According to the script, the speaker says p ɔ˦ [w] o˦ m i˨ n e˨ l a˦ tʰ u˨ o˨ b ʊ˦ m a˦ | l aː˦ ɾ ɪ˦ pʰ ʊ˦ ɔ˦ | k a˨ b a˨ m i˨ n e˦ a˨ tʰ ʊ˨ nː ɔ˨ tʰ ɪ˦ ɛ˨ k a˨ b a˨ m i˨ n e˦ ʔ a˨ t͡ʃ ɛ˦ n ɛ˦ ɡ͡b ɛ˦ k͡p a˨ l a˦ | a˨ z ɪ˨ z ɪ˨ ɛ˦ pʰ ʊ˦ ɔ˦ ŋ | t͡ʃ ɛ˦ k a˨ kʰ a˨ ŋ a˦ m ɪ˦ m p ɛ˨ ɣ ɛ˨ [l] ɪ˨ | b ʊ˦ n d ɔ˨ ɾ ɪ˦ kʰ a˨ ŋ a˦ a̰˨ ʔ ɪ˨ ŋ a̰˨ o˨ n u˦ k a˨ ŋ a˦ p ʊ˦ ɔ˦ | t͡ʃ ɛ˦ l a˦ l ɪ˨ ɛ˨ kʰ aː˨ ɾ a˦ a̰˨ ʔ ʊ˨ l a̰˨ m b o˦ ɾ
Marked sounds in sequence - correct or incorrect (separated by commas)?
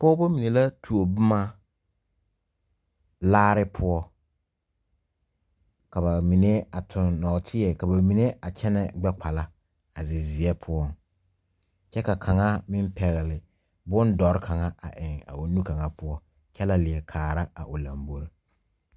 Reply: incorrect, correct